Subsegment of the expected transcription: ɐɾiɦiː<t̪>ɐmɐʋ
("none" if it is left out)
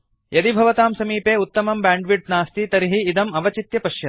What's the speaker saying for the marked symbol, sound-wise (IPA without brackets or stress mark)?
d̪